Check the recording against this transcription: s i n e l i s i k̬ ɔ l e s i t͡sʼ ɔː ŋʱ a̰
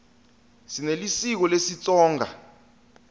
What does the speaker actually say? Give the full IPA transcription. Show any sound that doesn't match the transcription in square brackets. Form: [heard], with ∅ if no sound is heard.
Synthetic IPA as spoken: s i n e l i s i k̬ ɔ l e s i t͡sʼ ɔː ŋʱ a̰